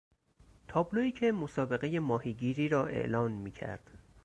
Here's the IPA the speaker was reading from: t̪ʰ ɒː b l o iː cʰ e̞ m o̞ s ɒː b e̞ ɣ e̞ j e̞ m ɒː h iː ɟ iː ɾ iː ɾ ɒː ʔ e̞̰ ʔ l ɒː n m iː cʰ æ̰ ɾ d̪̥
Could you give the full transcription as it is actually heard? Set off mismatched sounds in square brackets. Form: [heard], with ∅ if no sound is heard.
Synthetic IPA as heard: t̪ʰ ɒː b l o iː cʰ e̞ m o̞ s ɒː b e̞ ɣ e̞ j e̞ m ɒː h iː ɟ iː ɾ iː ɾ ɒː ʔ e̞̰ ʔ l ɒː n m iː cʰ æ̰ ɾ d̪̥